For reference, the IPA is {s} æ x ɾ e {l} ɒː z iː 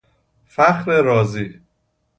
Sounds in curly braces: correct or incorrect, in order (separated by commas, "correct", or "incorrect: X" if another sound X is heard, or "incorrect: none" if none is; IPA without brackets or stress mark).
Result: incorrect: f, incorrect: ɾ